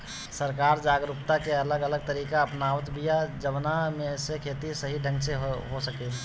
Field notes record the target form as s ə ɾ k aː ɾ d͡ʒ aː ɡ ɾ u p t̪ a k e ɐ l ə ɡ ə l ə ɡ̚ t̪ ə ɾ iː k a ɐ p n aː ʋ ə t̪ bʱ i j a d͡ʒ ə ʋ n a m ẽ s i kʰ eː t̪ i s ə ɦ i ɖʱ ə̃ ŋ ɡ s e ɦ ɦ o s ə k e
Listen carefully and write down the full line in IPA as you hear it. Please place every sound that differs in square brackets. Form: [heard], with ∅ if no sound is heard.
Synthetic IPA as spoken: s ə ɾ k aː ɾ d͡ʒ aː ɡ ɾ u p t̪ a k e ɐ l ə ɡ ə l ə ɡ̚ t̪ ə ɾ iː k a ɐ p n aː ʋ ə t̪ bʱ i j a d͡ʒ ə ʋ n a m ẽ s [e] kʰ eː t̪ i s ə ɦ i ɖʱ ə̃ ŋ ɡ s e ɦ ɦ o s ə k e